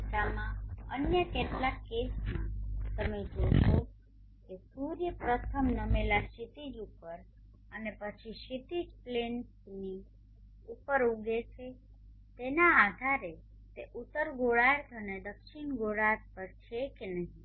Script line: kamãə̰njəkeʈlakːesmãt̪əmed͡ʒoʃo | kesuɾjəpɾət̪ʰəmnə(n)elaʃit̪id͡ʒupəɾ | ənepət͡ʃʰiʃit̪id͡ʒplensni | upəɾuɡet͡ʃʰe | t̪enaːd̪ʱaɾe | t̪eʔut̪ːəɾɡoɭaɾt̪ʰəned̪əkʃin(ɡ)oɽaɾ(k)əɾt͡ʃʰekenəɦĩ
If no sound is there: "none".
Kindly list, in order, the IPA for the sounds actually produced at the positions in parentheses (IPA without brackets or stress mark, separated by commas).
m, ɡ, p